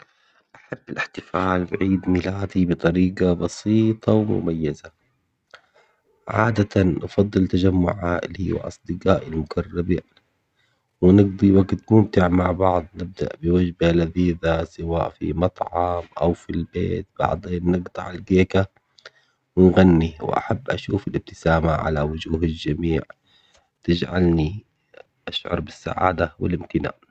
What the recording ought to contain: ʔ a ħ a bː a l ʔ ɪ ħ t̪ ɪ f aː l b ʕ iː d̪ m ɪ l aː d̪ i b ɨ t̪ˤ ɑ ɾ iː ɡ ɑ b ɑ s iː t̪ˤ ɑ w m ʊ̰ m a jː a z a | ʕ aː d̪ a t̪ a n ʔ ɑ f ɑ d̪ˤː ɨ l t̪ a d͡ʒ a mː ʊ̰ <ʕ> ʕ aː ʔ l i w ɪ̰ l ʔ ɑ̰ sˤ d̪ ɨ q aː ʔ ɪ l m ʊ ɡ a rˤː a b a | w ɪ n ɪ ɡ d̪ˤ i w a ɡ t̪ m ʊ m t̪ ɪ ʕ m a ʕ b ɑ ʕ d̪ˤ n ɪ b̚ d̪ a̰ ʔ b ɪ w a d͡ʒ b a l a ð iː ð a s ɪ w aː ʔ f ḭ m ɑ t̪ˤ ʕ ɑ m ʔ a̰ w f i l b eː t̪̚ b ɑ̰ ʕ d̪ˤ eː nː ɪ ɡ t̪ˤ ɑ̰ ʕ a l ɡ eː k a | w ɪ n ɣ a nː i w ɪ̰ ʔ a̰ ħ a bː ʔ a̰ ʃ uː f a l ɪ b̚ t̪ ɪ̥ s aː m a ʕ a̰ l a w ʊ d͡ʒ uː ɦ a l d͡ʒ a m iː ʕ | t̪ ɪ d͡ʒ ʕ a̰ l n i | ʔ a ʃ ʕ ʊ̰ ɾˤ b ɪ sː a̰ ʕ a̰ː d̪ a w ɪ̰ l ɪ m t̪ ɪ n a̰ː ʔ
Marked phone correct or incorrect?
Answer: correct